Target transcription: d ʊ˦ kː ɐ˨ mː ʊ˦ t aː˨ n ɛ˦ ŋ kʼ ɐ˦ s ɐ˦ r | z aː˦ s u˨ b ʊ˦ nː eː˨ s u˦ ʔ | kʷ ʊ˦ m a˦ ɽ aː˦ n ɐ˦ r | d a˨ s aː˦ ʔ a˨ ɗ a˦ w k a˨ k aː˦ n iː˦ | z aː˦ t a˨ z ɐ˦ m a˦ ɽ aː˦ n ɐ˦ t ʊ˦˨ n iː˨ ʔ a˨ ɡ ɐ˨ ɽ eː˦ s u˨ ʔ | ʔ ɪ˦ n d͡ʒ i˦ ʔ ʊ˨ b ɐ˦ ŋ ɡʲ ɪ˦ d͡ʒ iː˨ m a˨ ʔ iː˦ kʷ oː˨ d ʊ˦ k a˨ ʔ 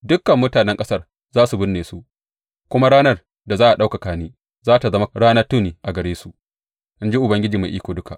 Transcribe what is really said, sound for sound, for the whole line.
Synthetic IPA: d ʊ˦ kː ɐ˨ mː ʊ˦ t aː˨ n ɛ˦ ŋ kʼ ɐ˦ s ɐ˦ r | z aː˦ s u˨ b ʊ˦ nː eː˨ s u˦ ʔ | kʷ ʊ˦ m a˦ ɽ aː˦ n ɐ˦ r | d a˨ z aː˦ ʔ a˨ ɗ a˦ w k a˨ k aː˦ n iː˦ | z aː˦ t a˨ z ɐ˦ m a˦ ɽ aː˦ n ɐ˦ t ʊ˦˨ n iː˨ ʔ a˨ ɡ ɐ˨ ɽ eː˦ s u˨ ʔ | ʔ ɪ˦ n d͡ʒ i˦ ʔ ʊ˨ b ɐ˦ ŋ ɡʲ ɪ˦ d͡ʒ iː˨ m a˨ ʔ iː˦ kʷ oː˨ d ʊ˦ k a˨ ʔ